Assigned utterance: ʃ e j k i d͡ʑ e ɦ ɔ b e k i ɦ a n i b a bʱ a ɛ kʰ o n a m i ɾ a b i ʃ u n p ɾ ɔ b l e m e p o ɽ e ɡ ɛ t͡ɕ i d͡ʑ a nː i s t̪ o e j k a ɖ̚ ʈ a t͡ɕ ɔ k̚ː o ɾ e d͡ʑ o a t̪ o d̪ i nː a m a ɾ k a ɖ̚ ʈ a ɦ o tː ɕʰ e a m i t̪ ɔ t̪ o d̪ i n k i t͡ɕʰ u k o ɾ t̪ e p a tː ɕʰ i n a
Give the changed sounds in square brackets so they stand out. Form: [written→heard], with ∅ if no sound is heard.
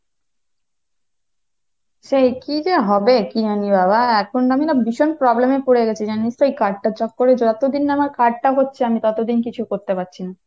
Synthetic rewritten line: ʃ e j k i d͡ʑ e ɦ ɔ b e k i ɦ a n i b a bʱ a ɛ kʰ o n a m i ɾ a b i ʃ [u→o] n p ɾ ɔ b l e m e p o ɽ e ɡ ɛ [t͡ɕ→t͡ɕʰ] i d͡ʑ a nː i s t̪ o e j k a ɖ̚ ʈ a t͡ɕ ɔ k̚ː o ɾ e d͡ʑ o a t̪ o d̪ i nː a m a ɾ k a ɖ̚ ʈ a ɦ o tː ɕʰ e a m i t̪ ɔ t̪ o d̪ i n k i t͡ɕʰ u k o ɾ t̪ e p a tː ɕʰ i n a